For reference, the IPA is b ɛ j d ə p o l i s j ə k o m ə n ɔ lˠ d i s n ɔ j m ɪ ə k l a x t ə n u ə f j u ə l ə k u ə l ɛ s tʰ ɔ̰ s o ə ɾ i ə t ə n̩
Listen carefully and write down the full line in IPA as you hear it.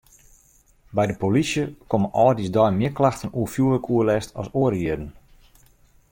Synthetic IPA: b ɛ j d ə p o l i s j ə k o m ə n ɔ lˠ d i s d ɔ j m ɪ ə k l a x t ə n u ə f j u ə l ə k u ə l ɛ s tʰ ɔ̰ s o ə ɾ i ə d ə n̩